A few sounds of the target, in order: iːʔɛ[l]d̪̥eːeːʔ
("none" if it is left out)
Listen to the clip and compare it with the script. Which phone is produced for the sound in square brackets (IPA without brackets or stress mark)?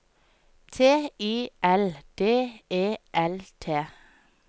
l